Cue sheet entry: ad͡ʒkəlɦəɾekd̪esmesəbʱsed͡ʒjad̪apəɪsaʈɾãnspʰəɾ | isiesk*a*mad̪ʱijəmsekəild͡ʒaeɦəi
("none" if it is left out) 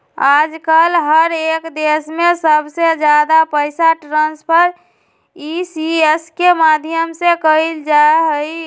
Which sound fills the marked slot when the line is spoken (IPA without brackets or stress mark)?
e